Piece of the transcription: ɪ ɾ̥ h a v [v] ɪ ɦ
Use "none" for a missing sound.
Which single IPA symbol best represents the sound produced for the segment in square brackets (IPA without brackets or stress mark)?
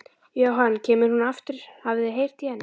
ð